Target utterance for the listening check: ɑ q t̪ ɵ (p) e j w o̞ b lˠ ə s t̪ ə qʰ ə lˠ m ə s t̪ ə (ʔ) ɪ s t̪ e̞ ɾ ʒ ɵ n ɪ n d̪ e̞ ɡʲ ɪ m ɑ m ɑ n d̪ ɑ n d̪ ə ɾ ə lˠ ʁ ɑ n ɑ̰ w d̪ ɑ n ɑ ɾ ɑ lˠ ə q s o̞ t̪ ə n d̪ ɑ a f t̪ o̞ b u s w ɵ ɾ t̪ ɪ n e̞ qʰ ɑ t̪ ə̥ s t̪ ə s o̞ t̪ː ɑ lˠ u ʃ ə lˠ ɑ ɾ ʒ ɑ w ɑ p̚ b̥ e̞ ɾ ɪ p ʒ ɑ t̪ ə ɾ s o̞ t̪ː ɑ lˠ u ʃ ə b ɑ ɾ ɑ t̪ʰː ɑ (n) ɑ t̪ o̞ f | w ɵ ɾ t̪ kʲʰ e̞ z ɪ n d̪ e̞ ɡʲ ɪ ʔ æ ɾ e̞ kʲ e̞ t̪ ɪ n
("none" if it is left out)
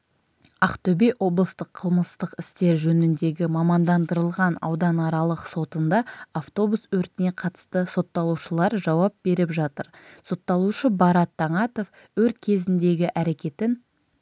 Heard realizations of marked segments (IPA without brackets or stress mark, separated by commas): b, q, ɴ